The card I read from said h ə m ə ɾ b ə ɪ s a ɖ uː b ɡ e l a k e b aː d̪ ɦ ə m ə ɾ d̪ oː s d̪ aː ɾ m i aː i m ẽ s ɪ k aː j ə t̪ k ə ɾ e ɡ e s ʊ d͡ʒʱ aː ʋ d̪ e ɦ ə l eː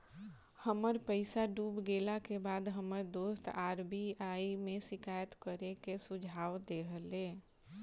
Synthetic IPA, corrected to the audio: h ə m ə ɾ p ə ɪ s a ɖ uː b ɡ e l a k e b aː d̪ ɦ ə m ə ɾ d̪ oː s t̪ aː ɾ b i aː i m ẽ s ɪ k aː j ə t̪ k ə ɾ e k e s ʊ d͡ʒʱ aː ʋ d̪ e ɦ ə l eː